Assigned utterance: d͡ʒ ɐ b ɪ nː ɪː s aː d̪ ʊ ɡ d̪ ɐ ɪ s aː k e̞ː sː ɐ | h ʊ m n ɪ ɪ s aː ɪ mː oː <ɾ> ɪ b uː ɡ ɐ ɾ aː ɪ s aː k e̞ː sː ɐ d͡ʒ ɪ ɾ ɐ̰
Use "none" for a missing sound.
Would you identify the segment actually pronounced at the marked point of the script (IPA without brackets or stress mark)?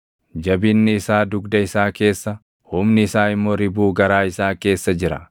ɾ